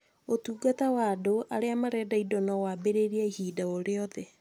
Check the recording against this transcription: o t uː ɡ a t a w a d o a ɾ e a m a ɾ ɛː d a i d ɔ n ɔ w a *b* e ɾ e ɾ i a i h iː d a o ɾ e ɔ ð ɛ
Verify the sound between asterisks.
correct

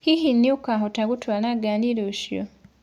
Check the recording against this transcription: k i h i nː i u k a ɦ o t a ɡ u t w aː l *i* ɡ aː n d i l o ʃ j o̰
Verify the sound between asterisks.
incorrect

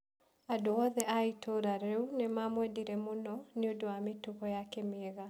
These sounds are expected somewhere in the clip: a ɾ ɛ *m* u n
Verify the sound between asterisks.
incorrect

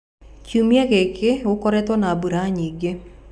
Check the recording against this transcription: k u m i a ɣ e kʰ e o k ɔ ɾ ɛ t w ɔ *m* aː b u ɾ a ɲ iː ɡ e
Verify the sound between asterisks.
incorrect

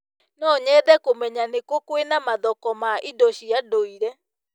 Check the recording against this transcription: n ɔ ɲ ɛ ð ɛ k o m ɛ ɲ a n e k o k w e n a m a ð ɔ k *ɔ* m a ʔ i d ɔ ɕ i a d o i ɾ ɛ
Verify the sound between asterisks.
correct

